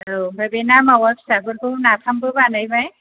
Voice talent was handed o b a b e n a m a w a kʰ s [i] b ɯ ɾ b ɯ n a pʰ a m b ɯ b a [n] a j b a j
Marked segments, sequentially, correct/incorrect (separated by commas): incorrect, correct